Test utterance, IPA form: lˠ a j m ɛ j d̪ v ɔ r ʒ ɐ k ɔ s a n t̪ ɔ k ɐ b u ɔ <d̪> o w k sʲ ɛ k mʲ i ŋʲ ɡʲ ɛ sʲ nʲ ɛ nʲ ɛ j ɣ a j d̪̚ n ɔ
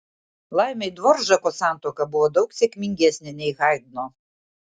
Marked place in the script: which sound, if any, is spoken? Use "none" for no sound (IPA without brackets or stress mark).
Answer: d̪